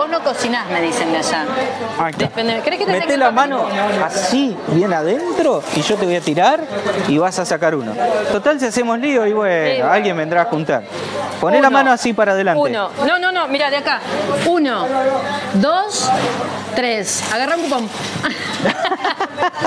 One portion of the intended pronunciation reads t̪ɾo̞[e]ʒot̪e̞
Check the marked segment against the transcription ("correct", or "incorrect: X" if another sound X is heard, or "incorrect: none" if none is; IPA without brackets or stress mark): incorrect: i